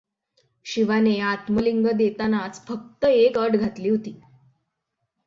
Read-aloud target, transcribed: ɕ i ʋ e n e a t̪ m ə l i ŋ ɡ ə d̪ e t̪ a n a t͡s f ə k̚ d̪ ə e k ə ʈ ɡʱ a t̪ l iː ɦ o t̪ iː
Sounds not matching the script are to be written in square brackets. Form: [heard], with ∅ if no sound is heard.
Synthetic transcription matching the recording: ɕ i ʋ [a] n e a t̪ m ə l i ŋ ɡ ə d̪ e t̪ a n a t͡s f ə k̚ [t̪] ə e k ə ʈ ɡʱ a t̪ l iː ɦ o t̪ iː